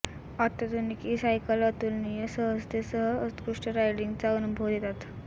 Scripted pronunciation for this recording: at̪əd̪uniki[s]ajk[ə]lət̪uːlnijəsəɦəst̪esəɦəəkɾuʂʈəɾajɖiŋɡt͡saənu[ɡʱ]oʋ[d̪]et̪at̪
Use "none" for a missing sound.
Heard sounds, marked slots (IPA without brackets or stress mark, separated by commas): s, ə, bʱ, d̪